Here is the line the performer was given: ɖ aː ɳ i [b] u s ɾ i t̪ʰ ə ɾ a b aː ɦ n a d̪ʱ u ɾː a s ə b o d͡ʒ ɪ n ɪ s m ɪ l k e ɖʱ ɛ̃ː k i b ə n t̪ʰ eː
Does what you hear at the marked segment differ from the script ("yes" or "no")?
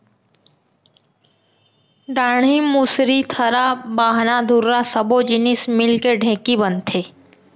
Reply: yes